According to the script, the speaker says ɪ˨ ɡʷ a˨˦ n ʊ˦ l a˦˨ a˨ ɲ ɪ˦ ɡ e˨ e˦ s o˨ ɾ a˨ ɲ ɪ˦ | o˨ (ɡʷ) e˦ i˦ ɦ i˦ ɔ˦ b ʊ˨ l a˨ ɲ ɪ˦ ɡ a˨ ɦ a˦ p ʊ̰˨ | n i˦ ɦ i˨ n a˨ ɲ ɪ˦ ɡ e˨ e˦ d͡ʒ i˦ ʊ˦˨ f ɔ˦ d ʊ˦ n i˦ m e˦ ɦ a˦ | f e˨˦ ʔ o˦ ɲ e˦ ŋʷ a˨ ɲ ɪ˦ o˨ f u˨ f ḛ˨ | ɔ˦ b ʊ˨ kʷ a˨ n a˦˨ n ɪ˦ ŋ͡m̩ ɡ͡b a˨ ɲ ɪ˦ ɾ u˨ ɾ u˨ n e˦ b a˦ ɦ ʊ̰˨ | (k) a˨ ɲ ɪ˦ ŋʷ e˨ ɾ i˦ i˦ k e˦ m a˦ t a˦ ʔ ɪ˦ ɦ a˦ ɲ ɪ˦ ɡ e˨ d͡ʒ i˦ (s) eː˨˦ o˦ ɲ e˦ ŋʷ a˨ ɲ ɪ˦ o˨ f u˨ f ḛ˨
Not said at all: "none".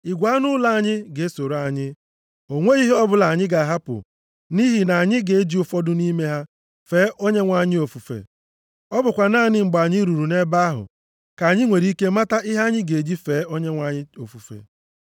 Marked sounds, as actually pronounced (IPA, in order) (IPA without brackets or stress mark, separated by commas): ŋʷ, k, f